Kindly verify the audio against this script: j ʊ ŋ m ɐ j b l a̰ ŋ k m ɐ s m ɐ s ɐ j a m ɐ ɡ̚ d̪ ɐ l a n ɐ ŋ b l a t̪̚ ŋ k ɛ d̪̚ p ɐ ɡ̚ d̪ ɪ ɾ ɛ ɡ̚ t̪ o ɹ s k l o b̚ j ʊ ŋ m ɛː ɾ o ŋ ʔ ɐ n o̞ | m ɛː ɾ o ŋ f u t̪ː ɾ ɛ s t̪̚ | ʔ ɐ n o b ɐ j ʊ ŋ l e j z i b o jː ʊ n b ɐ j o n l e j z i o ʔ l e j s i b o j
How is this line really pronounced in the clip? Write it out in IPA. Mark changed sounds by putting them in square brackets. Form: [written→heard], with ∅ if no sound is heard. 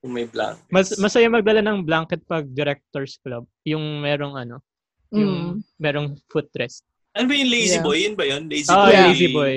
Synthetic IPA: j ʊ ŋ m ɐ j b l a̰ ŋ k m ɐ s m ɐ s ɐ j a m ɐ ɡ̚ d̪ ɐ l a n ɐ ŋ b l a [t̪̚→∅] ŋ k ɛ [d̪̚→t̪̚] p ɐ ɡ̚ d̪ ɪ ɾ ɛ [ɡ̚→k̚] t̪ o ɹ s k l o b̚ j ʊ ŋ m ɛː ɾ o ŋ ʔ ɐ n o̞ | m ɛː ɾ o ŋ f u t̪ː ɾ ɛ s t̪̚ | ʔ ɐ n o b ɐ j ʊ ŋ l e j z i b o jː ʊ n b ɐ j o n l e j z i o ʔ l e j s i b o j